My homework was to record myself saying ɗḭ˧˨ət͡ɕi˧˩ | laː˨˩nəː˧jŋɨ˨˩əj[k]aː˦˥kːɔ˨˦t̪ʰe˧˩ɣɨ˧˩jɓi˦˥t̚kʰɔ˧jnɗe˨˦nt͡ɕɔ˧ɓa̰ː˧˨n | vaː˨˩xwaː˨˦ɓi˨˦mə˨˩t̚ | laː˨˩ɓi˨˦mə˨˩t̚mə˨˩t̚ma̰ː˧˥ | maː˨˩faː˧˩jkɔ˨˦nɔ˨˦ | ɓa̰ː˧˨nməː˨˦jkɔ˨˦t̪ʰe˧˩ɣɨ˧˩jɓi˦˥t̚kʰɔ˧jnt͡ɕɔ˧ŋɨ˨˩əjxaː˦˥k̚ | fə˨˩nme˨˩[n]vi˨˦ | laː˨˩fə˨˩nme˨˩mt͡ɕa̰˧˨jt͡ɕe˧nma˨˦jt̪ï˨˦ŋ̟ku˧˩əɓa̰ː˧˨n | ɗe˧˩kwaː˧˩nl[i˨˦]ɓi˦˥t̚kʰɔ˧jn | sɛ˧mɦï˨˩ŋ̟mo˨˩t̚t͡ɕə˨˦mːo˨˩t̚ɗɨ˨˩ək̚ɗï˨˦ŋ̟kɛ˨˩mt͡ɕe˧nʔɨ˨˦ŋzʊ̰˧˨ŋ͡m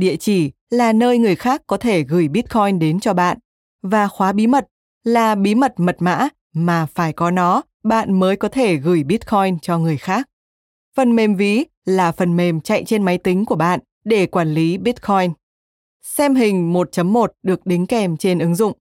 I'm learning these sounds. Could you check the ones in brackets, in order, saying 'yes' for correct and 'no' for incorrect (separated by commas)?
no, no, yes